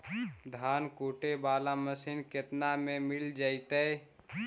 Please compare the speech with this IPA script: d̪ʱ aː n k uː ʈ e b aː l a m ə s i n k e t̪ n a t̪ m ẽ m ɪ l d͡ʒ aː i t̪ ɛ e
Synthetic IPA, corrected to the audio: d̪ʱ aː n k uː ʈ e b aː l a m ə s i n k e t̪ n a m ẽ m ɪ l d͡ʒ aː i t̪ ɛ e